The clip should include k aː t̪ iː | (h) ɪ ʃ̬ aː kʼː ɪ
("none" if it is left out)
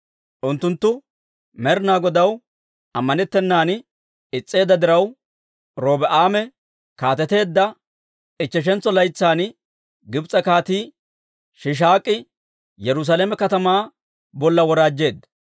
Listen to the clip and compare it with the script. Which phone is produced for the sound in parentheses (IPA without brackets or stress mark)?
ʃ